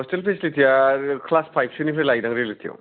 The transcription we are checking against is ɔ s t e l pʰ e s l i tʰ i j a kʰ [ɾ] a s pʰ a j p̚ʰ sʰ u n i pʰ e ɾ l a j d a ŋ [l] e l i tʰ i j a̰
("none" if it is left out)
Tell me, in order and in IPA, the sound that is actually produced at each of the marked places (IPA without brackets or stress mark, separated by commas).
l, ɾ